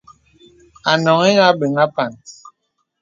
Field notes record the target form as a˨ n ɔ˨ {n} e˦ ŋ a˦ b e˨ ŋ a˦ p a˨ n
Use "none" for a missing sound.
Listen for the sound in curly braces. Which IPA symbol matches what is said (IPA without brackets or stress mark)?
ŋ